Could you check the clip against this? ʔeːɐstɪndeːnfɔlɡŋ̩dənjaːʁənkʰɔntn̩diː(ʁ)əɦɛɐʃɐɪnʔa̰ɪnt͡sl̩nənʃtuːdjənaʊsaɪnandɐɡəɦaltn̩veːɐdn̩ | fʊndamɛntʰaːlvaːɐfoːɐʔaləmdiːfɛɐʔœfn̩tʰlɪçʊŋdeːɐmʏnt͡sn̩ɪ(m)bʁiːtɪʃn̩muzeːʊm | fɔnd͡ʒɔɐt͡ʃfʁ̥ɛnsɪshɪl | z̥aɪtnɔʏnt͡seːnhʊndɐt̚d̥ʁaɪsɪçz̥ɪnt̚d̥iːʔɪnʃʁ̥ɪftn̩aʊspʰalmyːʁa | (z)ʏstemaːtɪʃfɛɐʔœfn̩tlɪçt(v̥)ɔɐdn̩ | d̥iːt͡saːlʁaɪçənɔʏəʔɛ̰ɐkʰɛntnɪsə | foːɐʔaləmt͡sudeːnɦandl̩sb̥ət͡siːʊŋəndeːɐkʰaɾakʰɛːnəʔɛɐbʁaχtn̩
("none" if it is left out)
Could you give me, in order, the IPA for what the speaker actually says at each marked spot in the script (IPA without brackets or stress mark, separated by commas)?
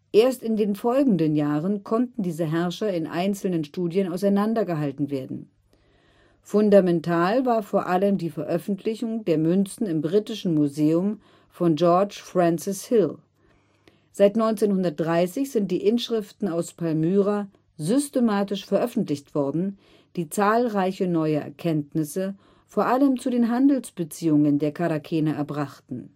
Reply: z, m, z, v̥